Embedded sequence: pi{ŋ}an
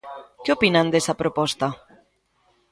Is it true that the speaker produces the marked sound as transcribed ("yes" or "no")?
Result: no